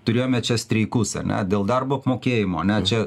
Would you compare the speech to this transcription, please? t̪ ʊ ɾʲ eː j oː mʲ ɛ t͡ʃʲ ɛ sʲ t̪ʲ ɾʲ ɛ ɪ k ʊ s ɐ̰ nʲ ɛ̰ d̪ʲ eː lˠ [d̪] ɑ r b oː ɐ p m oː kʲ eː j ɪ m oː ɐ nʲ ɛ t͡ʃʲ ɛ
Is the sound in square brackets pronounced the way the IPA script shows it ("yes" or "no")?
yes